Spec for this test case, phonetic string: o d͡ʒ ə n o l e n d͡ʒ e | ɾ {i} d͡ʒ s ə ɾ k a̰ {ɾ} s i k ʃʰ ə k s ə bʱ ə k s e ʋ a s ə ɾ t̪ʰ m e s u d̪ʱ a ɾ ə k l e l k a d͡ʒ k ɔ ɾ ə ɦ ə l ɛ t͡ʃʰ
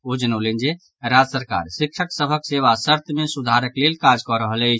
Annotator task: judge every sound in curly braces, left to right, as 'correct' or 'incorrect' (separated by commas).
incorrect, correct